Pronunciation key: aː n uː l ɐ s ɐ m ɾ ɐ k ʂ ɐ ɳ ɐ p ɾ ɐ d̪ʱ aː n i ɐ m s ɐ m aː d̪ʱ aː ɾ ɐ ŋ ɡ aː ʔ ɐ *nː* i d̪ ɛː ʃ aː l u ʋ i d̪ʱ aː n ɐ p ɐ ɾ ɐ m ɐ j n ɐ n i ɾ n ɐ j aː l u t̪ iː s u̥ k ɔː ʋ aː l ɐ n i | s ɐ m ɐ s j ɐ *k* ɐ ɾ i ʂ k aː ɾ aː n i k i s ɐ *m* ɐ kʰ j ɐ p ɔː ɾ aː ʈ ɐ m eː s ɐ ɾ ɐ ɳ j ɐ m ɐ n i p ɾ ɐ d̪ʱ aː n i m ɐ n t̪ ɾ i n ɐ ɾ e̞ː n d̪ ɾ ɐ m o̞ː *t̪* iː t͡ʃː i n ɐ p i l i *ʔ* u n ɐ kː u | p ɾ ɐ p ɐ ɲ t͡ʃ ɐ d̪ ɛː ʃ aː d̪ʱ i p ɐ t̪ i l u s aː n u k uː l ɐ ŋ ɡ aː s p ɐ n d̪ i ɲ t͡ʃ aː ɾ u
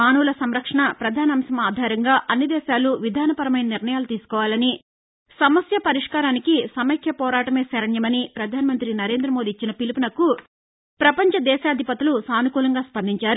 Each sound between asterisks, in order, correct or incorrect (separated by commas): correct, incorrect, correct, incorrect, incorrect